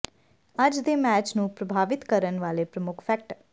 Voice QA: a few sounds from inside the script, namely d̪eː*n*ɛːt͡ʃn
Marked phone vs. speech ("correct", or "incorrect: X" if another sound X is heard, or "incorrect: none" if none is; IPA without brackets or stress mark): incorrect: m